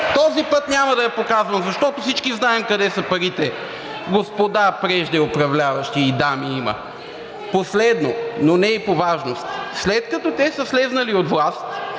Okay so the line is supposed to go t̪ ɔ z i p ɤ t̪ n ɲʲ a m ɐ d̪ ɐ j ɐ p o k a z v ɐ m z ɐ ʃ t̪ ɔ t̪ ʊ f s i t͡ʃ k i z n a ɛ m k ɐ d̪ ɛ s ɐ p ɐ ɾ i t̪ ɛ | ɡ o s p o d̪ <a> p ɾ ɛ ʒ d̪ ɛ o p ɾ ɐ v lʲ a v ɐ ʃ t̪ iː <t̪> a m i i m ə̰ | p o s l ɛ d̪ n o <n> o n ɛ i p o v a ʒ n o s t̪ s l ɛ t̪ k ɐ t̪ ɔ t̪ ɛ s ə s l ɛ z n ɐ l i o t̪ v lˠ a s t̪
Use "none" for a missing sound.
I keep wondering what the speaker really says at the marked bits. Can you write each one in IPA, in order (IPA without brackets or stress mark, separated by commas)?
a, d̪, n